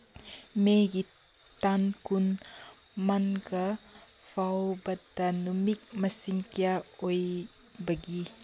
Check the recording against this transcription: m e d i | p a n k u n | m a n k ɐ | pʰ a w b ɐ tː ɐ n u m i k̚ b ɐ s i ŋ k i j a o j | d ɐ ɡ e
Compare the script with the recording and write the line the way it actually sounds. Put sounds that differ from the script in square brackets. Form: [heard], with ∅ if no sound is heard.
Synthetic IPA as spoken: m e [ɡ] i | [t] a n k u n | m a n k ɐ | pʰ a w b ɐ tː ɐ n u m i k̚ [m] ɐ s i ŋ k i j a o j | [b] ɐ ɡ [i]